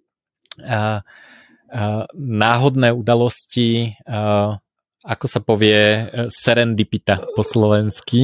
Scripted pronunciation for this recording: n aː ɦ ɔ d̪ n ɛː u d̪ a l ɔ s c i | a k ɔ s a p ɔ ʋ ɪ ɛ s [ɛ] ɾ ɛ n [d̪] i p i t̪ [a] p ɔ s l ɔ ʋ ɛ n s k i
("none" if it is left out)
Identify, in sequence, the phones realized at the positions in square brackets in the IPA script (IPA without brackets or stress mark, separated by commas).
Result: ɛ, d̪, a